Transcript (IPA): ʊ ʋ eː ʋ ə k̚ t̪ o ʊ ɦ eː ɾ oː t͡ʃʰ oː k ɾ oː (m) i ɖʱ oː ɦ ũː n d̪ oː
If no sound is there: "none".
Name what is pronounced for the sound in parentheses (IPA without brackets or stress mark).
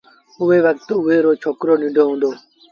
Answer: n